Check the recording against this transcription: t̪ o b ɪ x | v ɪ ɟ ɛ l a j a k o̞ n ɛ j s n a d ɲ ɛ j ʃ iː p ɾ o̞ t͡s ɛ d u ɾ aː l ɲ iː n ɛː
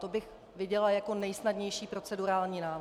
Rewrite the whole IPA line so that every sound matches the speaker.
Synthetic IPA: t̪ o b ɪ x | v ɪ ɟ ɛ l a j a k o̞ n ɛ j s n a d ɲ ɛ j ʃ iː p ɾ o̞ t͡s ɛ d u ɾ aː l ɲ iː n aː